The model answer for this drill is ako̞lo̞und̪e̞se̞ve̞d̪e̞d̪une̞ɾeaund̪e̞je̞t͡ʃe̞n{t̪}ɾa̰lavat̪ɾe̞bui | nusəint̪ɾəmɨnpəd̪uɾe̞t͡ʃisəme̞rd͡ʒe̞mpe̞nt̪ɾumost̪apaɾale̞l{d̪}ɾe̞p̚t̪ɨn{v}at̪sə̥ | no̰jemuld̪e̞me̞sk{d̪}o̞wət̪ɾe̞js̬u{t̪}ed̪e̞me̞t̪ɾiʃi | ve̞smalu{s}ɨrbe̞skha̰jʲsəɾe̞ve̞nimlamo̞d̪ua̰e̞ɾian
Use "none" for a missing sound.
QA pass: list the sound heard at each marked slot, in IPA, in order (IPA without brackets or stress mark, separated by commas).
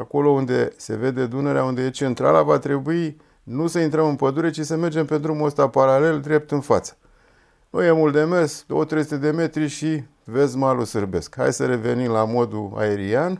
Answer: t̪, d̪, f, d̪, t̪, s